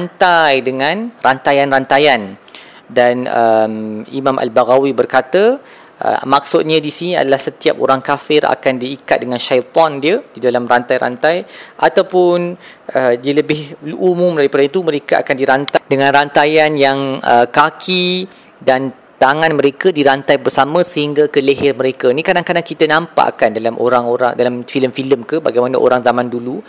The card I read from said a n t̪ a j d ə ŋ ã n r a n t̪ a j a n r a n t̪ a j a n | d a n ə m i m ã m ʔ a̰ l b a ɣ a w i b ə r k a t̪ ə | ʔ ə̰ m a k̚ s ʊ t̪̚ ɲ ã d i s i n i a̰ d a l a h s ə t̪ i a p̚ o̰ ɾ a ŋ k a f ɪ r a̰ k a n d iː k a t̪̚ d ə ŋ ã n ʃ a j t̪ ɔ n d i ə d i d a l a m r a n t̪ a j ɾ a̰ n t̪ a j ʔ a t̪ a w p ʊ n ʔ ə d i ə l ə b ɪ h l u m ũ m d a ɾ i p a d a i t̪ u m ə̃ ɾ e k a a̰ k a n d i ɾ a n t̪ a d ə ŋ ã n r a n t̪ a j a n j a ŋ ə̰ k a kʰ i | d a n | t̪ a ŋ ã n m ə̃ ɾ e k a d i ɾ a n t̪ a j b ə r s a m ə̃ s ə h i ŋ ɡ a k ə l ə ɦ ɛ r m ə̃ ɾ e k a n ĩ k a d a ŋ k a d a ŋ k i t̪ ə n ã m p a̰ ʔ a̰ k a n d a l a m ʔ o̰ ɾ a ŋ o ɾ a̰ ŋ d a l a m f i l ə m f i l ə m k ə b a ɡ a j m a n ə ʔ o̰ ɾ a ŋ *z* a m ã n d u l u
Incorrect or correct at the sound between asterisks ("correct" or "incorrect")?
correct